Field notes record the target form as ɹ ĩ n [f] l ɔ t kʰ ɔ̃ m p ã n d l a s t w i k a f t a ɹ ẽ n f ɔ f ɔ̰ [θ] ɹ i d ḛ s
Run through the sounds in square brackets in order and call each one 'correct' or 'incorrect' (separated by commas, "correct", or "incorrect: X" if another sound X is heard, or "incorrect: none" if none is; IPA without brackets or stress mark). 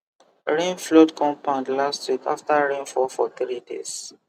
correct, correct